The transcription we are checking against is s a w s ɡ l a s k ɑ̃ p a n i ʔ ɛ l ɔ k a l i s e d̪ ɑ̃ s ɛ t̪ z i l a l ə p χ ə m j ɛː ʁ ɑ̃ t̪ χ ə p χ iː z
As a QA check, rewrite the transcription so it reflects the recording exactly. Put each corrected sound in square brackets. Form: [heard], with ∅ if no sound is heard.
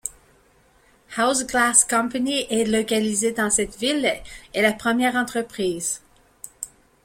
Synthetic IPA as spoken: [h] a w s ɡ l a s k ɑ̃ p a n i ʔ ɛ l ɔ k a l i [z] e d̪ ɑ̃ s ɛ t̪ [v] i l [ɛ] l [a] p χ ə m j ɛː ʁ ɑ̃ t̪ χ ə p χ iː z